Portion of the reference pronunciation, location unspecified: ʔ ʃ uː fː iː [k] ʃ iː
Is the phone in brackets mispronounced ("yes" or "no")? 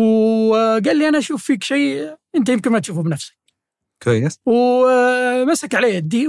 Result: no